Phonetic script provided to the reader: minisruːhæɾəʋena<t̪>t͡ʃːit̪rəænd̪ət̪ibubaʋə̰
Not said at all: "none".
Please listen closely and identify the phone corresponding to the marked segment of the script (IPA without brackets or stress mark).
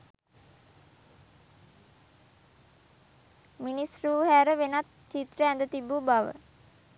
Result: t̪